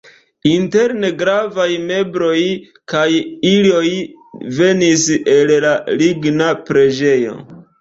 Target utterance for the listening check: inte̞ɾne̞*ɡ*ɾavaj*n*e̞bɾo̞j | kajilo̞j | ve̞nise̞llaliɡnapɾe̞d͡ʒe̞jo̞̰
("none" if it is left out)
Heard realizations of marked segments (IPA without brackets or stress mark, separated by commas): ɡ, m